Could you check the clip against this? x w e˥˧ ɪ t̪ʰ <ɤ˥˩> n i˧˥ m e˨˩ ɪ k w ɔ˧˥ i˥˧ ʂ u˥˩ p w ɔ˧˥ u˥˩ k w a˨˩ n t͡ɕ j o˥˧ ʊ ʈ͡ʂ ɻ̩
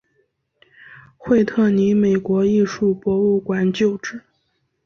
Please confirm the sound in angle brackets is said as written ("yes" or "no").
yes